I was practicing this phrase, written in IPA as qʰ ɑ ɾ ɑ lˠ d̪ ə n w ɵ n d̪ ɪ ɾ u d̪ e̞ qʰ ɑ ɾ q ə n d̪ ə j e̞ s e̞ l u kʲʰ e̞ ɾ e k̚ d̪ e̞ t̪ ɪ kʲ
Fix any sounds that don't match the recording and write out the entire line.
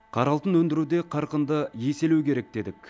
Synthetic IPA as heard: qʰ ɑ ɾ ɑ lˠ t̪ ə n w ɵ n d̪ ɪ ɾ u d̪ e̞ qʰ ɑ ɾ q ə n d̪ ə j e̞ s e̞ l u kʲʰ e̞ ɾ e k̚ d̪ e̞ d̪ ɪ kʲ